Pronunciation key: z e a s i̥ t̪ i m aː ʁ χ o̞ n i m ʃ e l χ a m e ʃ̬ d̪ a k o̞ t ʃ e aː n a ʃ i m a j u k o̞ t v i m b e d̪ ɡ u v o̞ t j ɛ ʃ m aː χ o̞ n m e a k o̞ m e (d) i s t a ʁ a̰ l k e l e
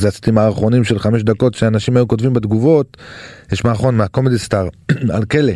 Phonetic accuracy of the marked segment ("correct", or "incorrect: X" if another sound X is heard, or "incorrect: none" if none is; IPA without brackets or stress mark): correct